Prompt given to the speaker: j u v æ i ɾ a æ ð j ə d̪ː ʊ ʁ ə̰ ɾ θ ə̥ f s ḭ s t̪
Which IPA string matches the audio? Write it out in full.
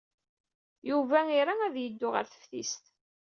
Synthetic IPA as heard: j u v æ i ɾ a æ ð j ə d̪ː ʊ ʁ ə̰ ɾ θ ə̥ f θ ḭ s t̪